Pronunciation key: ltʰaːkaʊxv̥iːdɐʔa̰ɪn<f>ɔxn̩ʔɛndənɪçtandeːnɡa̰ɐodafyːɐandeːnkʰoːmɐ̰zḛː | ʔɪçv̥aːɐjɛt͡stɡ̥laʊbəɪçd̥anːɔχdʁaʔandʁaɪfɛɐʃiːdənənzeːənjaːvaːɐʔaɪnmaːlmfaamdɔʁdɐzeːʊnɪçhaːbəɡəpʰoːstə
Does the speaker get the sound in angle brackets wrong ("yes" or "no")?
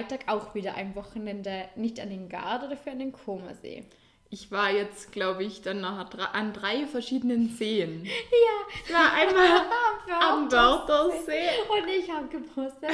yes